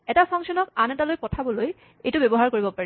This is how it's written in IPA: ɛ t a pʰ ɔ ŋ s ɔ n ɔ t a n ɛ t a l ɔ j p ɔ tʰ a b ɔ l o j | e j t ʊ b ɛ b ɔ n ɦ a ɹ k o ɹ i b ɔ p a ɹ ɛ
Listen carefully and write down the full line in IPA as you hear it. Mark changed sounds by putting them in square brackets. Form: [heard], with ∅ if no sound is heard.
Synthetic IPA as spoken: ɛ t a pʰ ɔ ŋ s ɔ n ɔ [k] a n ɛ t a l [o] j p ɔ tʰ a b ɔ l o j | e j t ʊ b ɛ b ɔ [∅] ɦ a ɹ k o ɹ i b ɔ p a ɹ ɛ

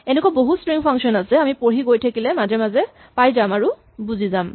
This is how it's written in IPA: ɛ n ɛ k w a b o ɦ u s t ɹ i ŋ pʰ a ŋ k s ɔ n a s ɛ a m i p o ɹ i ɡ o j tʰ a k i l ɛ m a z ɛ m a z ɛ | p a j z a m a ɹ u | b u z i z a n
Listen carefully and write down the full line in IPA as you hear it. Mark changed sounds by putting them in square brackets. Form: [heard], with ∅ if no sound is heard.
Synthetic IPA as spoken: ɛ n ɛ k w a b o ɦ u s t ɹ i ŋ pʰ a ŋ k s ɔ n a s ɛ a m i p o ɹ i ɡ o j tʰ a k i l ɛ m a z ɛ m a z ɛ | p a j z a m a ɹ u | b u z i z a [m]

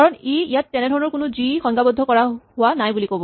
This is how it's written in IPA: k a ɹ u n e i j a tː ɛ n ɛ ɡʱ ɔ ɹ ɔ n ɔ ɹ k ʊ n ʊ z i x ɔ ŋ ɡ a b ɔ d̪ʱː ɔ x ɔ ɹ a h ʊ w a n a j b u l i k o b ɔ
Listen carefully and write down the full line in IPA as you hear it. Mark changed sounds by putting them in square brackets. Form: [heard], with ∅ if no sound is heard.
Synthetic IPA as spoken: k a ɹ [ɔ] n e i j a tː ɛ n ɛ [dʱ] ɔ ɹ ɔ n ɔ ɹ k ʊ n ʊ z i x ɔ ŋ ɡ a b ɔ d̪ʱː ɔ [k] ɔ ɹ a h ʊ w a n a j b u l i k o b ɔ

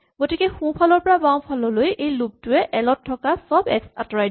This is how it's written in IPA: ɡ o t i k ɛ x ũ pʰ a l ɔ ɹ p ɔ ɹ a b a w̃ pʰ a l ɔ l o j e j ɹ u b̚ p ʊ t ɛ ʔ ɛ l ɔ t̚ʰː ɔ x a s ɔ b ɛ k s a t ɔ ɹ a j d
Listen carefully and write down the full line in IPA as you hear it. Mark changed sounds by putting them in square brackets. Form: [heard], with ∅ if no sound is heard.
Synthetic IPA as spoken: ɡ o t i k ɛ x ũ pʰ a l ɔ ɹ p ɔ ɹ a b a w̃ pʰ a l ɔ l o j e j [l] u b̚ [t] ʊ [∅] ɛ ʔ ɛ l ɔ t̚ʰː ɔ [k] a s ɔ b ɛ k s a t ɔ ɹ a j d

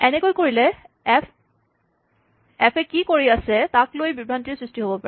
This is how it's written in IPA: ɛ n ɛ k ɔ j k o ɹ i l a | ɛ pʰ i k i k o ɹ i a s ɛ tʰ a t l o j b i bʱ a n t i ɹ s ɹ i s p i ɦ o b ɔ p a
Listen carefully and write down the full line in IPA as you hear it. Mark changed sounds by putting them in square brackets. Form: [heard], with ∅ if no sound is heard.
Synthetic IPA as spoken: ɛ n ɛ k [o] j k o ɹ i l [ɛ] | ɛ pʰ [ɛ] k i k o ɹ i a s ɛ [t] a [k] l o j b i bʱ a n t i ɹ s ɹ i s [t] i ɦ o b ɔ p a

